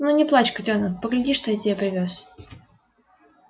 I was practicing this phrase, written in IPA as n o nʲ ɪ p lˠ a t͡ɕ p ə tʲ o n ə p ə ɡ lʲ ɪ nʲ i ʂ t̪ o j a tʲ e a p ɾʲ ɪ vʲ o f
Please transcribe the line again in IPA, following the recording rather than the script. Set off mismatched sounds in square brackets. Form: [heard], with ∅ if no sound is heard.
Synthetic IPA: n [u] nʲ ɪ p lˠ a t͡ɕ [k] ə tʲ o n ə p ə ɡ lʲ ɪ [dʲ] i ʂ t̪ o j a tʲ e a p ɾʲ ɪ vʲ o [s]